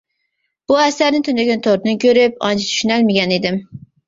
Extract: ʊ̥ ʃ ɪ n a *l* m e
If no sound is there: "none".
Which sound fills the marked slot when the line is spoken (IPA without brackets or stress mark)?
l